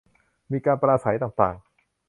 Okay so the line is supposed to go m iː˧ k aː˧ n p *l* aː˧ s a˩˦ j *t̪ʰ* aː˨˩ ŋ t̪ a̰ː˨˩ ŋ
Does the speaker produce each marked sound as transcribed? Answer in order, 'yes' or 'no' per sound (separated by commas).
no, no